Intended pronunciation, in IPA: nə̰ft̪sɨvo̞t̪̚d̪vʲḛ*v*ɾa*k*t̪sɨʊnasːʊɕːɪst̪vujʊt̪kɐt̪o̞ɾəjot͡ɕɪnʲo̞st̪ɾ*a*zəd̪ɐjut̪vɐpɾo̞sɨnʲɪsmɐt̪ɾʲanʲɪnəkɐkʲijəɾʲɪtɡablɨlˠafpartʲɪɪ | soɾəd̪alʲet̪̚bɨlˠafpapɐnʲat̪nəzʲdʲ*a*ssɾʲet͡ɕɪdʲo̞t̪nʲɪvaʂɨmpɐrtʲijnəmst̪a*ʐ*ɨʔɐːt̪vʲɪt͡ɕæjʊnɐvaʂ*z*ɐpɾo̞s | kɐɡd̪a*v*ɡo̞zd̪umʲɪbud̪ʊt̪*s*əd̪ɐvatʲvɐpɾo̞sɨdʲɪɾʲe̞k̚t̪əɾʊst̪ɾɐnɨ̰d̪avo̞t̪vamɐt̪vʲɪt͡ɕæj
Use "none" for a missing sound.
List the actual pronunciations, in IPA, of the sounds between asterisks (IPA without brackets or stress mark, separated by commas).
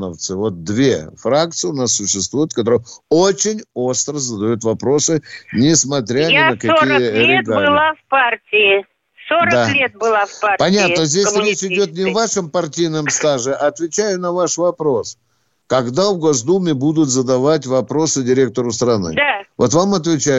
f, k, ə, e, ʐ, v, v, z